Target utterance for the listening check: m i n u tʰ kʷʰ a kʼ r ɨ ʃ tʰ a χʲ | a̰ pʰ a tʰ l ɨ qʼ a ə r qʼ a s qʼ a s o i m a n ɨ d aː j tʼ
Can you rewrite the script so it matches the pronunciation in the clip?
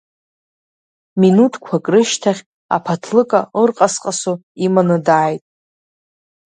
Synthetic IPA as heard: m i n u tʰ kʷʰ a kʼ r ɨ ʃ tʰ a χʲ | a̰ pʰ a tʰ l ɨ kʼ a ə r qʼ a s qʼ a s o i m a n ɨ d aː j tʼ